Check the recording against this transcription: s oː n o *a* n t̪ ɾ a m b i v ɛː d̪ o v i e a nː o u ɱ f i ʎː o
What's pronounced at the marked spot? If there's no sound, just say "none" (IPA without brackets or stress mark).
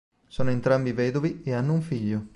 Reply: e